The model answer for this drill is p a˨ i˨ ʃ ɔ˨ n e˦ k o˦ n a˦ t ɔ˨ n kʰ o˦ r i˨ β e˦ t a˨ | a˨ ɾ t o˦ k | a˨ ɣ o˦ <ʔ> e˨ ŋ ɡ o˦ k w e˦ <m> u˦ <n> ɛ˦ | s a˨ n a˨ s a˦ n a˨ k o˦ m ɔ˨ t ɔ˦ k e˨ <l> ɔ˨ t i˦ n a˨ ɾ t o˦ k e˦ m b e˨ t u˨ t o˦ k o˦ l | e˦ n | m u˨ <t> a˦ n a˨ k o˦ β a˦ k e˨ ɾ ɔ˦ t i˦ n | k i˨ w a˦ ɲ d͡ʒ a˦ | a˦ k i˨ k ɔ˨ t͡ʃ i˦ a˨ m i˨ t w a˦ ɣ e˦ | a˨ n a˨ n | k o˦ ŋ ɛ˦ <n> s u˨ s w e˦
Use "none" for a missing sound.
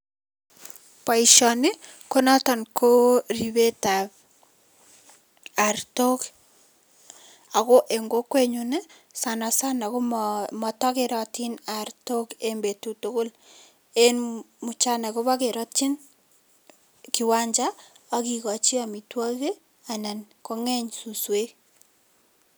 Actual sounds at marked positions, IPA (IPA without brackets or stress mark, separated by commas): ʔ, ɲ, n, ɾ, t͡ʃ, ɲ